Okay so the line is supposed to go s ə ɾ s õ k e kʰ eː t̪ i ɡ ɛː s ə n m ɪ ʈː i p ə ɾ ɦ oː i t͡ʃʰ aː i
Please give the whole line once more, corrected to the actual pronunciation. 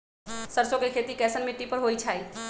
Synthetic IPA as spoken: s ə ɾ s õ k e kʰ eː t̪ i k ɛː s ə n m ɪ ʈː i p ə ɾ ɦ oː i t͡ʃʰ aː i